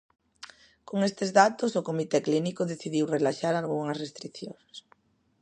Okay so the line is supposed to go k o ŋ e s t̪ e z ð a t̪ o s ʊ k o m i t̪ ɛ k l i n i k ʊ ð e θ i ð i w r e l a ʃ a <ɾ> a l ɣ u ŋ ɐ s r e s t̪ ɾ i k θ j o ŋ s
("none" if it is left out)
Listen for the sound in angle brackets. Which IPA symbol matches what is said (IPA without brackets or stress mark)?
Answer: ɾ